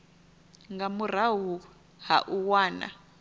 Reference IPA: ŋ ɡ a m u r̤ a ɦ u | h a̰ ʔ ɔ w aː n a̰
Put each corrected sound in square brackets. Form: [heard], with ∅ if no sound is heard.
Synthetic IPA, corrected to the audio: ŋ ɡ a m u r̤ a ɦ u | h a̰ ʔ [u] w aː n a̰